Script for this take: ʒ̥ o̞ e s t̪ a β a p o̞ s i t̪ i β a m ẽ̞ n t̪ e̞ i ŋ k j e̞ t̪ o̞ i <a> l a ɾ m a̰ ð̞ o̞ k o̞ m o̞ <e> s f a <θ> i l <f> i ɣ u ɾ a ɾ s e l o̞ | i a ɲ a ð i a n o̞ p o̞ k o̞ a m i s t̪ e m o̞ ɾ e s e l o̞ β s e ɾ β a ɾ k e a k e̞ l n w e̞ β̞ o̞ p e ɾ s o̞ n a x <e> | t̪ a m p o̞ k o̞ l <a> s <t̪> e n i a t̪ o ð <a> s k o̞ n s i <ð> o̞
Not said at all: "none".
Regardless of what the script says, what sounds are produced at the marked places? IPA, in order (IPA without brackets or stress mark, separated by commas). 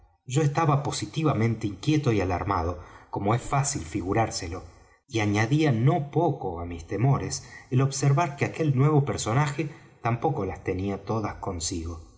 a, e, s, f, e, a, t̪, a, ɣ